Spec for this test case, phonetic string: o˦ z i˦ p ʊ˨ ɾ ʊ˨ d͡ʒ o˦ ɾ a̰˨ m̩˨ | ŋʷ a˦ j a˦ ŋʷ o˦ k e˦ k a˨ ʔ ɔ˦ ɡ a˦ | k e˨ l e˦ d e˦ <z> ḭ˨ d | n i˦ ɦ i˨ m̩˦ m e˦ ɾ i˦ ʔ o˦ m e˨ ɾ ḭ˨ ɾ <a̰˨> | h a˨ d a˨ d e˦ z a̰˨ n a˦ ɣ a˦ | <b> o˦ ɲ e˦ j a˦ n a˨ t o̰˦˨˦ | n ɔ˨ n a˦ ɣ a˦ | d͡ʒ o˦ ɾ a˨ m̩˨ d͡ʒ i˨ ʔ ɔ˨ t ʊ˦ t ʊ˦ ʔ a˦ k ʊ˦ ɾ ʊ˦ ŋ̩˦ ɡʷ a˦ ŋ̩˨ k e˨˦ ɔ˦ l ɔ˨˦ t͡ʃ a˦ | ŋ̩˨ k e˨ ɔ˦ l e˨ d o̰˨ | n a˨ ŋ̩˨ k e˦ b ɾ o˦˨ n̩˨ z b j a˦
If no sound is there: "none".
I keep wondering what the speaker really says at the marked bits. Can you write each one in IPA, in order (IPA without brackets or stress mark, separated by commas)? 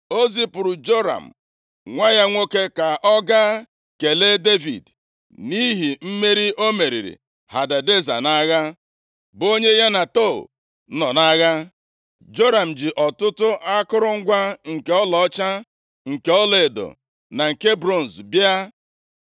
v, ḭ˨, b